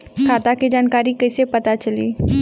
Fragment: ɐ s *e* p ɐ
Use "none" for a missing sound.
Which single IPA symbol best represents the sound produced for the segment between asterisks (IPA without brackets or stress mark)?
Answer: e